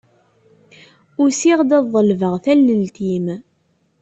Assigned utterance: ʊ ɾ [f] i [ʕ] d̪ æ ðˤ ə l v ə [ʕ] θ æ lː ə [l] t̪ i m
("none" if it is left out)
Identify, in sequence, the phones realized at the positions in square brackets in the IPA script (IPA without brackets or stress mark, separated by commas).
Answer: s, ʁ, ʁ, l